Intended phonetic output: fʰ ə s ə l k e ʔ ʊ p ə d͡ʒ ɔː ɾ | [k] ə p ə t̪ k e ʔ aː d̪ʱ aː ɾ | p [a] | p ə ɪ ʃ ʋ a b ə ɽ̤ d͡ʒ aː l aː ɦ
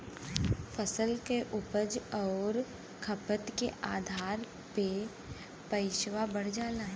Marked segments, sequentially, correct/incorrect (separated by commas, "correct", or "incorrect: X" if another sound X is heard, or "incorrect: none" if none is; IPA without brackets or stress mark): incorrect: kʰ, incorrect: e